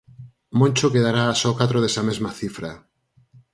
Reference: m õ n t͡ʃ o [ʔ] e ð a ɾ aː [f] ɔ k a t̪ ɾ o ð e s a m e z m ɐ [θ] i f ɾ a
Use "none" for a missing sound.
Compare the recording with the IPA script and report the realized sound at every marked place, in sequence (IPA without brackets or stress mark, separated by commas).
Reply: k, s, θ